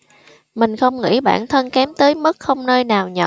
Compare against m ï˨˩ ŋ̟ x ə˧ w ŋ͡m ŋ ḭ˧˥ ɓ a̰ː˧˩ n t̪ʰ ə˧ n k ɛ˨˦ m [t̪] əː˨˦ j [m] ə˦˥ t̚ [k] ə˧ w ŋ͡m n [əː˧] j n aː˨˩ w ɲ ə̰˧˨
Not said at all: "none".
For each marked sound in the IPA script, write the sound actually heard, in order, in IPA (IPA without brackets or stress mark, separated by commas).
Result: t̪, m, x, əː˧